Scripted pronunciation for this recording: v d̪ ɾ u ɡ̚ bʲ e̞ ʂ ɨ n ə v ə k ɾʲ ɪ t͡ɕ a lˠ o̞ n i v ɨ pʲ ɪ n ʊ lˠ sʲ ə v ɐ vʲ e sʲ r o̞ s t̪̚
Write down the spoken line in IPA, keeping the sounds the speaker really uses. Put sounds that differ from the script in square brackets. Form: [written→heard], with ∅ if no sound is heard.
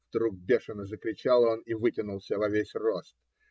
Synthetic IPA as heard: v d̪ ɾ u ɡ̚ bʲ e̞ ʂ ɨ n ə [v→z] ə k ɾʲ ɪ t͡ɕ a lˠ o̞ n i v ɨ [pʲ→tʲ] ɪ n ʊ lˠ sʲ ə v ɐ vʲ e sʲ r o̞ s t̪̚